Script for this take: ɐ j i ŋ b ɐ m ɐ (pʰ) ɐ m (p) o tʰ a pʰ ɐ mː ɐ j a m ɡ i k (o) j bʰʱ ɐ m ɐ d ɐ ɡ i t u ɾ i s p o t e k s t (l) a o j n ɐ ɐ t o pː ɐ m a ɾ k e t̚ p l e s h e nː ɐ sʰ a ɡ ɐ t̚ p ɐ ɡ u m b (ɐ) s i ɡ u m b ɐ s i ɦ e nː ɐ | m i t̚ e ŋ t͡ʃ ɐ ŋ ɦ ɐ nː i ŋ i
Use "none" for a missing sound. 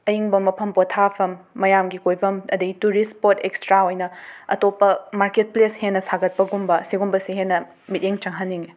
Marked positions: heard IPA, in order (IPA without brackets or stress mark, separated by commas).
pʰ, p, o, ɾ, ɐ